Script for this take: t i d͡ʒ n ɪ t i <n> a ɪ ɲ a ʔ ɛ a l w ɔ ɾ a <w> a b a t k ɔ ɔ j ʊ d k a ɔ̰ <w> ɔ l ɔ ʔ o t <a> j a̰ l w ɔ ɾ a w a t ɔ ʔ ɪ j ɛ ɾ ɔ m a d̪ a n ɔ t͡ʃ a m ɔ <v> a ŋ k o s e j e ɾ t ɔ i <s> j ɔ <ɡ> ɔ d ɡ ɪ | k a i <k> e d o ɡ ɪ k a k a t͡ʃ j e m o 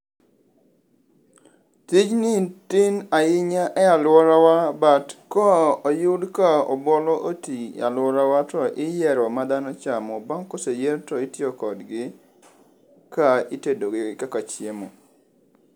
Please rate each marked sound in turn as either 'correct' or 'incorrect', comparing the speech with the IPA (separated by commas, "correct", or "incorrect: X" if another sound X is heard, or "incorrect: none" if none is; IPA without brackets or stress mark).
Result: correct, correct, incorrect: b, incorrect: i, incorrect: b, incorrect: t, incorrect: k, incorrect: t